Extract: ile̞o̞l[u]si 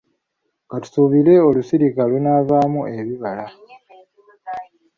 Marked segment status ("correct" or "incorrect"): correct